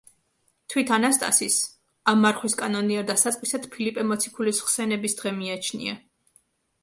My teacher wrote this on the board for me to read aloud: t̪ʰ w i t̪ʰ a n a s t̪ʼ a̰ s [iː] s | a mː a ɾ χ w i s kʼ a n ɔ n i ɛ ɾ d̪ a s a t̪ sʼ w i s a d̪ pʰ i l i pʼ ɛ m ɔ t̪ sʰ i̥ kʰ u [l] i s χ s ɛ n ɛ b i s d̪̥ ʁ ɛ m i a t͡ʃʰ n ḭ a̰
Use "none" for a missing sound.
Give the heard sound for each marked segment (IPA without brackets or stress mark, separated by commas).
i, l